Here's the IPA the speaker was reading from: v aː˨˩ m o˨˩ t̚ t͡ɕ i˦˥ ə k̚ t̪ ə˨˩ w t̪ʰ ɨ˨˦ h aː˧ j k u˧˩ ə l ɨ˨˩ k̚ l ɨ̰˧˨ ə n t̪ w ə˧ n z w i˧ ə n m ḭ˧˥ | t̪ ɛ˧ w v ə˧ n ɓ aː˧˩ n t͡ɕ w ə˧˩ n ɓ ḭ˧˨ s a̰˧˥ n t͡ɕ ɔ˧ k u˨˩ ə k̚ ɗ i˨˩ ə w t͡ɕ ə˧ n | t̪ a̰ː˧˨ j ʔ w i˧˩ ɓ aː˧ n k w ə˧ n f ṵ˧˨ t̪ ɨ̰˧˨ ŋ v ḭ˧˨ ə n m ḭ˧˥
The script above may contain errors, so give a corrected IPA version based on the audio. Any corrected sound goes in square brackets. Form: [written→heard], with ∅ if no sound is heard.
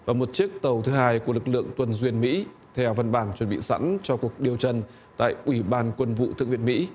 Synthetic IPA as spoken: v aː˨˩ m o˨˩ t̚ t͡ɕ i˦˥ ə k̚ t̪ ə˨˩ w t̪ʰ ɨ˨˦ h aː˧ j k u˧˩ ə l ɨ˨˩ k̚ l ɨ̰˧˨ ə [n→ŋ] t̪ w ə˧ n z w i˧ ə n m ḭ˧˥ | [t̪→t̪ʰ] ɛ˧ w v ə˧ n ɓ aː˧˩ n t͡ɕ w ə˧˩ n ɓ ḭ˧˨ s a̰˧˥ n t͡ɕ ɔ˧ k u˨˩ ə k̚ ɗ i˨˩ ə w t͡ɕ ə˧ n | t̪ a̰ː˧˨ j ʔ w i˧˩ ɓ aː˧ n k w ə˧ n [f→v] ṵ˧˨ t̪ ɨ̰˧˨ ŋ v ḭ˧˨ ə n m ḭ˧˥